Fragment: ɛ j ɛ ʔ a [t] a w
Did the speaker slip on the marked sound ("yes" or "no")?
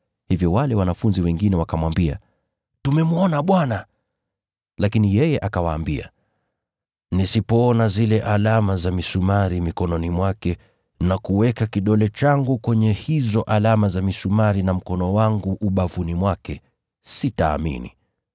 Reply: yes